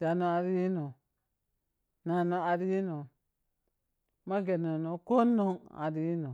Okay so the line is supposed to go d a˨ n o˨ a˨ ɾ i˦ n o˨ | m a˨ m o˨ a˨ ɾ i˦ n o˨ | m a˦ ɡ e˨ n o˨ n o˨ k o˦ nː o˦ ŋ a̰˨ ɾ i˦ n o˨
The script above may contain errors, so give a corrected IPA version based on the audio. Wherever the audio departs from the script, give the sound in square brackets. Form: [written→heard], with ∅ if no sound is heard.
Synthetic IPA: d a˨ n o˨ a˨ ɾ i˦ n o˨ | [m→n] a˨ [m→n] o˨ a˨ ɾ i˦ n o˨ | m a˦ ɡ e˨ n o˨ n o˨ k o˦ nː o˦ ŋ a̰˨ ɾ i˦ n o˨

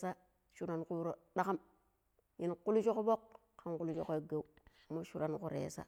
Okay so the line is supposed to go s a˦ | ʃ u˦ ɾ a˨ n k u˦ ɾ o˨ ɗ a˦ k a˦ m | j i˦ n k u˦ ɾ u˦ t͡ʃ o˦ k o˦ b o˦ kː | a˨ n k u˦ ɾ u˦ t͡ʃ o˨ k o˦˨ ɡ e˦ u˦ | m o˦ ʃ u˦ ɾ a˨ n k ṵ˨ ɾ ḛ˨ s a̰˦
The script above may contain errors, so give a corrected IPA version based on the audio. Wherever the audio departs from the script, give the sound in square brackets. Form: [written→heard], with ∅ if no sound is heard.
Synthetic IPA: s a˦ | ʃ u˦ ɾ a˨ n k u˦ ɾ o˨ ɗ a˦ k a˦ m | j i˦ n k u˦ [ɾ→l] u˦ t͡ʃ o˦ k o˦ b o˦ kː | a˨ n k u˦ [ɾ→l] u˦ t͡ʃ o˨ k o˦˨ ɡ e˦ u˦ | m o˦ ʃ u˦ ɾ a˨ n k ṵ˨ ɾ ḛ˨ s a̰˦

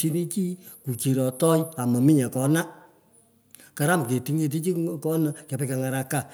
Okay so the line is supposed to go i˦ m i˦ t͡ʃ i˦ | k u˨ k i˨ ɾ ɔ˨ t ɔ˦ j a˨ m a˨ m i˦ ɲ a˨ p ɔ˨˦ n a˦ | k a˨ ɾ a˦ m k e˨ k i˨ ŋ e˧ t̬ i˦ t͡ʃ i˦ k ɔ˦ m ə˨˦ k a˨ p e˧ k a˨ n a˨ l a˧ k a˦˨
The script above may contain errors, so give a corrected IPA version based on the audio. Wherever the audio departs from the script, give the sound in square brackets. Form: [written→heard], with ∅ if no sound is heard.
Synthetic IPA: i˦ [m→n] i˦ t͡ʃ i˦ | k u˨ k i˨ ɾ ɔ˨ t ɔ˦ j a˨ m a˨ m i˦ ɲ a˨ [p→k] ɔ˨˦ n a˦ | k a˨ ɾ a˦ m k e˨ [k→t] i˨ ŋ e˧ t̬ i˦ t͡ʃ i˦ k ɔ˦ [m→n] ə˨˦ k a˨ p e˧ k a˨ [n→ŋ] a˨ [l→ɾ] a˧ k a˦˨

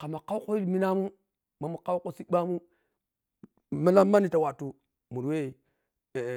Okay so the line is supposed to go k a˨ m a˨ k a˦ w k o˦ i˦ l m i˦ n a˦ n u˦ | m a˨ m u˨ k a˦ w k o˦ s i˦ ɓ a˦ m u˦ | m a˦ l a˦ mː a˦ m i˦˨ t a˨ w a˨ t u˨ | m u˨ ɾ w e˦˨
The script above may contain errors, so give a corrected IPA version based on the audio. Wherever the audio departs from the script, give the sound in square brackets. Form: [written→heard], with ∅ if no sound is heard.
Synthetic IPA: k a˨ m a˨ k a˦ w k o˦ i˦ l m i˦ n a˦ [n→m] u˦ | m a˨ m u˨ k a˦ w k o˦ s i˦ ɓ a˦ m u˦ | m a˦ l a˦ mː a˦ [m→n] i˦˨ t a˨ w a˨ t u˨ | m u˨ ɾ w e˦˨

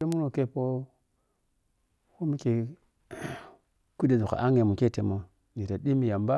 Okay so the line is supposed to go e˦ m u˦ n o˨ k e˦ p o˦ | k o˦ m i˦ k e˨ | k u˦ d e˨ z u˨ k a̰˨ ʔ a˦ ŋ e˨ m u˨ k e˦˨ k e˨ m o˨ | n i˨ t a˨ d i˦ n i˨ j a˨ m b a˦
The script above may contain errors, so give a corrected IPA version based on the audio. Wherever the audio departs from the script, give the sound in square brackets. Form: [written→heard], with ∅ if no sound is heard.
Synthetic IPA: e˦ m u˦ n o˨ k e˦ p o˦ | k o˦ m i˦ k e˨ | k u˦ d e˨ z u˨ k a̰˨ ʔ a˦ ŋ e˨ m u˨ k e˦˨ [k→t] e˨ m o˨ | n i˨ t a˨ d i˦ [n→m] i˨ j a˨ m b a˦

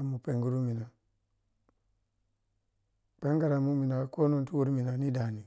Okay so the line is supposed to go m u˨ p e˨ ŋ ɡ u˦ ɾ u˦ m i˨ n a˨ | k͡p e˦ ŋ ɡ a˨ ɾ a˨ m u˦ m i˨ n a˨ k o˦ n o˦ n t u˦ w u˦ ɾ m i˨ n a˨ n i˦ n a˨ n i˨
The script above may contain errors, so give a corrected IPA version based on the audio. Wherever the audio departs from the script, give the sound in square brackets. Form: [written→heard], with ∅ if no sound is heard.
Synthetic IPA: m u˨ p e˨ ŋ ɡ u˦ ɾ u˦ m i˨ n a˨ | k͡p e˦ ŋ ɡ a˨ ɾ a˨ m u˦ m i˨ n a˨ k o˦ n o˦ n t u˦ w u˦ ɾ m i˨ n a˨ n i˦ [n→d] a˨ n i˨

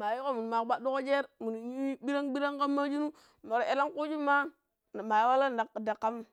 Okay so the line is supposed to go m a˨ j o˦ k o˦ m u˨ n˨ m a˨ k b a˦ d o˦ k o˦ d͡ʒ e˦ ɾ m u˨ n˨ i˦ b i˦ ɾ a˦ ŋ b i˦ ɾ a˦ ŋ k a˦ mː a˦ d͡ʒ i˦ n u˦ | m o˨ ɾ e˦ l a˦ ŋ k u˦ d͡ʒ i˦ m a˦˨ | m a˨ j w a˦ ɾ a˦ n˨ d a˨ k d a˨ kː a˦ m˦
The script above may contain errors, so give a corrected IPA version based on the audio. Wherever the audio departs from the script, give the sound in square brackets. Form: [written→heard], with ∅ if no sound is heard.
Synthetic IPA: m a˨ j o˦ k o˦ m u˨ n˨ m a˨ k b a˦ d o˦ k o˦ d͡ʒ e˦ ɾ m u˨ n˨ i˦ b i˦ ɾ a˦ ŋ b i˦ ɾ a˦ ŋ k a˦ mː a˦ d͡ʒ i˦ n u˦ | m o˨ ɾ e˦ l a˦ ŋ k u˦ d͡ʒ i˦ m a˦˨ | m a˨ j w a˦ [ɾ→l] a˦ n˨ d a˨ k d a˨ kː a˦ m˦

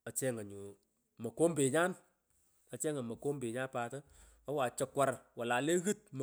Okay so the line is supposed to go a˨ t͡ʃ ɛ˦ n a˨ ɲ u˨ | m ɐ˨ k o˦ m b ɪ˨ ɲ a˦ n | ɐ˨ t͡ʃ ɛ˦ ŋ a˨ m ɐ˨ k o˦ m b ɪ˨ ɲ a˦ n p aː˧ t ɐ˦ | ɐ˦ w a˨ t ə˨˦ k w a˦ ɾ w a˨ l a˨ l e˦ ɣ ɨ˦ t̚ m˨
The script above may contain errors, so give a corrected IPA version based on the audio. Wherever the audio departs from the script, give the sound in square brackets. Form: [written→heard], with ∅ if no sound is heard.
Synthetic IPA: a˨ t͡ʃ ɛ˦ [n→ŋ] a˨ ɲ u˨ | m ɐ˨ k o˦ m b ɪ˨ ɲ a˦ n | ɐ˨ t͡ʃ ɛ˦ ŋ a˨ m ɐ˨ k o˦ m b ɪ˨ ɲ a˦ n p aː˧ t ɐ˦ | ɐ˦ w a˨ [t→t͡ʃ] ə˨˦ k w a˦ ɾ w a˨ l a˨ l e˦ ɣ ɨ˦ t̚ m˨

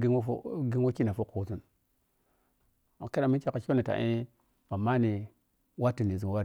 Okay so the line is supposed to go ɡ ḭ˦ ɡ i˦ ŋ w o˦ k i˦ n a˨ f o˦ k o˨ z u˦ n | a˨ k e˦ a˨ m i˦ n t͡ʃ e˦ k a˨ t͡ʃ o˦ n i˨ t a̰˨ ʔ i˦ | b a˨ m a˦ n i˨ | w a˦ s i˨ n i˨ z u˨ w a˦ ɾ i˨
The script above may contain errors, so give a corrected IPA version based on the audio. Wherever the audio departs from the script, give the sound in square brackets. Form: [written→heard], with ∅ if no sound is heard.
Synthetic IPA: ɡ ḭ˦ ɡ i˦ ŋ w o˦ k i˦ n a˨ f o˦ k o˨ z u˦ n | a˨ k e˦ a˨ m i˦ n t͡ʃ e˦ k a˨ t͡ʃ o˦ n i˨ t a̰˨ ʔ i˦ | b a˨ m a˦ n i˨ | w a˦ [s→t] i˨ n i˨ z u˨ w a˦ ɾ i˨

